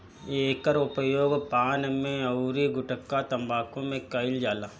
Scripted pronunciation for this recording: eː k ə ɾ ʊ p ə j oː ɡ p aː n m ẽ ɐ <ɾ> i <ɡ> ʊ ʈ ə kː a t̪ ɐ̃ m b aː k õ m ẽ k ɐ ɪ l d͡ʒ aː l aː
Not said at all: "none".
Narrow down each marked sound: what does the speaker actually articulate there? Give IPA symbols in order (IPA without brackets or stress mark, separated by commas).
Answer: ɾ, ɡ